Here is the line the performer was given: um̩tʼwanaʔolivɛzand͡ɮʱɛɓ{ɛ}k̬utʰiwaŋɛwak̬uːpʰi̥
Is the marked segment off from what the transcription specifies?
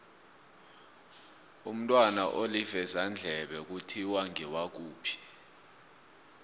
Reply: no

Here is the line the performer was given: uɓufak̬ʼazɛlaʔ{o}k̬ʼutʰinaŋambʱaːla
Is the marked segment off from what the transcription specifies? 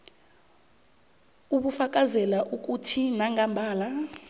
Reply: yes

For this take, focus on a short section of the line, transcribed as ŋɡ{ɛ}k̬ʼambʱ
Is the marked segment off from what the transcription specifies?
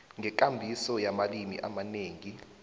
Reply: no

